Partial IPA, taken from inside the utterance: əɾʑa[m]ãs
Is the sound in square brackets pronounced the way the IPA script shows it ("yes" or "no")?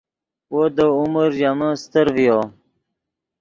yes